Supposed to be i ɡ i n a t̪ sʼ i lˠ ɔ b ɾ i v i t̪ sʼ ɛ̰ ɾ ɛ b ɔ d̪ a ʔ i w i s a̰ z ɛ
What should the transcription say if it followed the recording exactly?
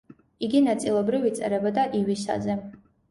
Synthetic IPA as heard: i ɡ i n a t̪ sʼ i lˠ ɔ b ɾ i v i t̪ sʼ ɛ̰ ɾ ɛ b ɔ d̪ a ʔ i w i s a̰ z ɛ